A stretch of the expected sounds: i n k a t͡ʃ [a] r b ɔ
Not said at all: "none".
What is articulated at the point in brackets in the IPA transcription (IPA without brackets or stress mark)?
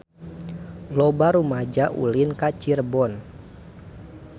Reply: i